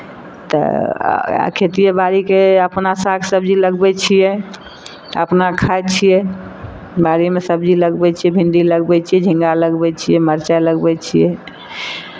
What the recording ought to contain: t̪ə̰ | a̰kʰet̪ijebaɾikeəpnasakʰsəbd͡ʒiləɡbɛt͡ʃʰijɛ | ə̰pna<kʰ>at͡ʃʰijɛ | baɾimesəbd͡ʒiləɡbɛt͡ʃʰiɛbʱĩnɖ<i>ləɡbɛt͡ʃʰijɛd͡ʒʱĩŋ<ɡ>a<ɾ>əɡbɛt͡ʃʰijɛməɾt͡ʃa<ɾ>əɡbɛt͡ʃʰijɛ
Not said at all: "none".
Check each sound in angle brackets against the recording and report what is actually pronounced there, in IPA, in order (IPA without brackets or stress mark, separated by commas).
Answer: kʰ, i, ɡ, l, l